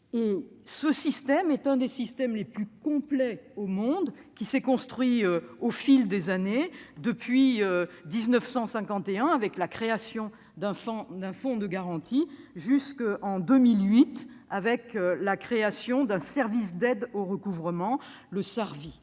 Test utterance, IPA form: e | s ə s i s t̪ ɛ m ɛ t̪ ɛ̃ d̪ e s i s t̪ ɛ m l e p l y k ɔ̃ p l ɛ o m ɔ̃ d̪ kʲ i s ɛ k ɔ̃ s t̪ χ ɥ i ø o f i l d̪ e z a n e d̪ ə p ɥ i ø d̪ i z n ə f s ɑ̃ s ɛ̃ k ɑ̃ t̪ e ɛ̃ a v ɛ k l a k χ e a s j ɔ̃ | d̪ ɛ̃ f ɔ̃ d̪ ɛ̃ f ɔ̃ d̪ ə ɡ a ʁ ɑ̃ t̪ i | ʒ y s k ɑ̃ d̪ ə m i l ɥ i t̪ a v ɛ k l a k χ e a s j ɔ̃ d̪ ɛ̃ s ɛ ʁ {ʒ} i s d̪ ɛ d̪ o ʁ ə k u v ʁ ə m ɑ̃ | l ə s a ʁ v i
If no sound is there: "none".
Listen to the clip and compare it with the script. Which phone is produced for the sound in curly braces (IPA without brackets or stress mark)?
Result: v